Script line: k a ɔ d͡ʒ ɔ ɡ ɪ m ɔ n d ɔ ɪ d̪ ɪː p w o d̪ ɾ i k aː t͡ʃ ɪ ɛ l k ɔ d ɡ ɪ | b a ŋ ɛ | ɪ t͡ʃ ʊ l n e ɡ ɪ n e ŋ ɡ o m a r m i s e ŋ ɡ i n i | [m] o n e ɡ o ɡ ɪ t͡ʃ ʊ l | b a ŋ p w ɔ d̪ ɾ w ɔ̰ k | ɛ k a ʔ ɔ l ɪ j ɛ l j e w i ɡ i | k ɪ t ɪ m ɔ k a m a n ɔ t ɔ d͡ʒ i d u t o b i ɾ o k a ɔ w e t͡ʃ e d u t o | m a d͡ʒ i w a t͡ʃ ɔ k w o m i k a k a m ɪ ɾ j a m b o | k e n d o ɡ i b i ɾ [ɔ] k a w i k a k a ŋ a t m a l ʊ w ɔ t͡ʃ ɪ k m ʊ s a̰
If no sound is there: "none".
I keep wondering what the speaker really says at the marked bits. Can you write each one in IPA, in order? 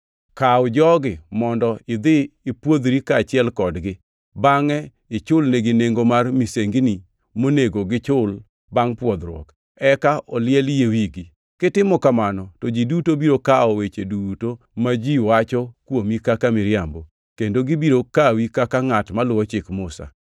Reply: m, o

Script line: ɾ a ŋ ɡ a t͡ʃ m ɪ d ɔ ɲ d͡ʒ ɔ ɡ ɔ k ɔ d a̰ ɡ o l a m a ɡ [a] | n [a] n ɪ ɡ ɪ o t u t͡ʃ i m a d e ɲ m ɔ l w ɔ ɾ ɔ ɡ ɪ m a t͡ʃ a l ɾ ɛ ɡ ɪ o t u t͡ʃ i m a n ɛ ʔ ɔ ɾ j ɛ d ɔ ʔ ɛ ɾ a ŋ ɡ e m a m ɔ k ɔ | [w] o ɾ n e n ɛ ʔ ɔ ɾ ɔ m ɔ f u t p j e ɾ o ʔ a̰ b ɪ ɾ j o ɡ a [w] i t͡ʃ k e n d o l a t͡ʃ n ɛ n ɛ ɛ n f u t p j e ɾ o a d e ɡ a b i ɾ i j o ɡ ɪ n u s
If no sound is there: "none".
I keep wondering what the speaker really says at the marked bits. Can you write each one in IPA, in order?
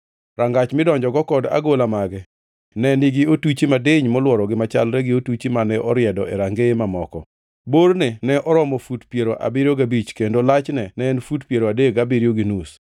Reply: ɛ, ɛ, b, b

